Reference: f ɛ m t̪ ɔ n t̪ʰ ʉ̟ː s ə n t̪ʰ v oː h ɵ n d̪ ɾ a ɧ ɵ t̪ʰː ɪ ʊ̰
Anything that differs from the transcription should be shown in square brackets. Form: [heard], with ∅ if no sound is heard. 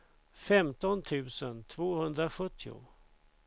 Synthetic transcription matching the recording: f ɛ m t̪ ɔ n t̪ʰ ʉ̟ː s ə n t̪ʰ v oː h ɵ n d̪ ɾ a ɧ ɵ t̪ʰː ɪ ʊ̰